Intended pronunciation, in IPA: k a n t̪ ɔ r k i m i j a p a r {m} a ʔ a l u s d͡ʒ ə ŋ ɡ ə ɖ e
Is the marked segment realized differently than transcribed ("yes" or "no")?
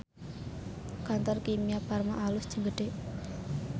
no